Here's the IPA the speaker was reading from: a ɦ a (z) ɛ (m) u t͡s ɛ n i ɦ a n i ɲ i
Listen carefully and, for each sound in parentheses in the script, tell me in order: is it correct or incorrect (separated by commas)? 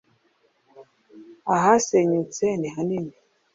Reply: incorrect, incorrect